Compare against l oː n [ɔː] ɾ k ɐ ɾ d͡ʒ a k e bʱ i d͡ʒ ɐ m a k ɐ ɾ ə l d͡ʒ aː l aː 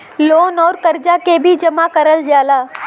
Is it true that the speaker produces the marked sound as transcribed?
yes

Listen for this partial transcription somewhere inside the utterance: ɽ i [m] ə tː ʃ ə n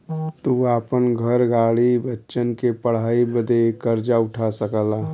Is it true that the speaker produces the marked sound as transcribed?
no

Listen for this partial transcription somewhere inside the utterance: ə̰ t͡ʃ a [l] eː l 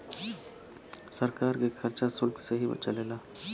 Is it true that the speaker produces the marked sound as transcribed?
yes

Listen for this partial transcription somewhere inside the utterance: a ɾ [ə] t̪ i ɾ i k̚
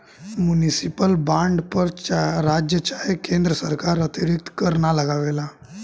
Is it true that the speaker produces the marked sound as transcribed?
yes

